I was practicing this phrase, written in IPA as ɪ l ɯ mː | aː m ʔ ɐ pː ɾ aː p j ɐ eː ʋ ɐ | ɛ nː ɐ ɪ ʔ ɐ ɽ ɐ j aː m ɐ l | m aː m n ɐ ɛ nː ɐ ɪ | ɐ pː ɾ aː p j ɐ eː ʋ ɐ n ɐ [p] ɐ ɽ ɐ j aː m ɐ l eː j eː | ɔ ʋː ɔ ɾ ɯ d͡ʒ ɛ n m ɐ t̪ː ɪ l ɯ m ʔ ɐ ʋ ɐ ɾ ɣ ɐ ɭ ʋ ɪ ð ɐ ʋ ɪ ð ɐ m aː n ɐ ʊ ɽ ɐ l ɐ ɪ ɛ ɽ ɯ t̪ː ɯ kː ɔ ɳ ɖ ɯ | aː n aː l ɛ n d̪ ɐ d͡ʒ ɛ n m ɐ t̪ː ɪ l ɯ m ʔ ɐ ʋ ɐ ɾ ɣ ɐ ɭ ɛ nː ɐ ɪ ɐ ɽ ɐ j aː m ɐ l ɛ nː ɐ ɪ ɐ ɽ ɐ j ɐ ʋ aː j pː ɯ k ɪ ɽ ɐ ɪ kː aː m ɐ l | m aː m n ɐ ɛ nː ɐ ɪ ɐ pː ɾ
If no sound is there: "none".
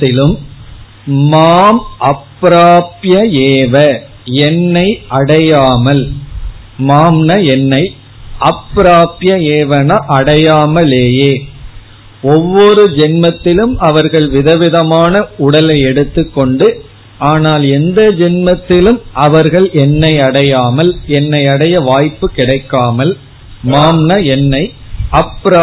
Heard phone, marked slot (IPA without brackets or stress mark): ʔ